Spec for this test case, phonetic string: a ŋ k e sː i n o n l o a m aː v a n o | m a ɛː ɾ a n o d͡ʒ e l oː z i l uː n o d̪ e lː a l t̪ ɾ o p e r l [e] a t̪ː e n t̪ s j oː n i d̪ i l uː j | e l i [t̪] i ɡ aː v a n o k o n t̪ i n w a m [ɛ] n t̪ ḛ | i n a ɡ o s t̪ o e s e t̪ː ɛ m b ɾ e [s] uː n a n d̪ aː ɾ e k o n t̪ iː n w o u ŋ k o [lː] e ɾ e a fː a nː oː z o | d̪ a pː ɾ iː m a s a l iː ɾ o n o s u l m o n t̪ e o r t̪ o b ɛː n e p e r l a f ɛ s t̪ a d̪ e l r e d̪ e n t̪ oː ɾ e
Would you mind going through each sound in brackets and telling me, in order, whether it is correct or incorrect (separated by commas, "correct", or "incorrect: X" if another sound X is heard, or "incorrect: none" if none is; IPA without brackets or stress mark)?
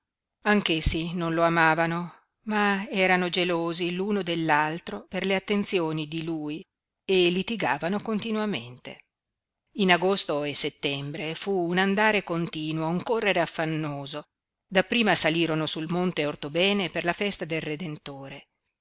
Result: correct, correct, incorrect: e, incorrect: f, incorrect: rː